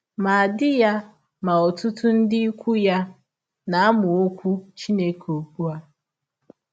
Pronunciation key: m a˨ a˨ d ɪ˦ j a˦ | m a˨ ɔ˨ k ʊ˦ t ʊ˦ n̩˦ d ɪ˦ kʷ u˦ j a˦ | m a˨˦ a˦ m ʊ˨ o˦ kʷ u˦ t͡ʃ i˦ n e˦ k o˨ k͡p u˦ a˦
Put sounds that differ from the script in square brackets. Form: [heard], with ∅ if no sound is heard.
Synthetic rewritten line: m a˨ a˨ d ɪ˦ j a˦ | m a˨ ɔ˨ [t] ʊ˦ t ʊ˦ n̩˦ d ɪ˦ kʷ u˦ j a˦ | [n] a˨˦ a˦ m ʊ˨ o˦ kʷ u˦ t͡ʃ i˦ n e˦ k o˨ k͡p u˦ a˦